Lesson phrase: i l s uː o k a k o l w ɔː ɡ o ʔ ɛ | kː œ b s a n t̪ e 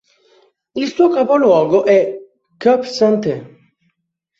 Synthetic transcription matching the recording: i l s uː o k a p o l w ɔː ɡ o ʔ ɛ | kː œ p s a n t̪ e